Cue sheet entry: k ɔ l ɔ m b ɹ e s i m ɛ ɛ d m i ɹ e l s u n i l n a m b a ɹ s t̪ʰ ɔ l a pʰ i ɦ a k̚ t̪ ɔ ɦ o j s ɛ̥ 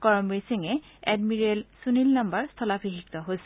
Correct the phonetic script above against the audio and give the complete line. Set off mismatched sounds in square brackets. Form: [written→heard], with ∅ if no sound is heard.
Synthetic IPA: k ɔ [l→ɹ] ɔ m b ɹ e s i [m→ŋ] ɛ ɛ d m i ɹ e l s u n i l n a m b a ɹ s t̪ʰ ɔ l a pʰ i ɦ [a→i] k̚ t̪ ɔ ɦ o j s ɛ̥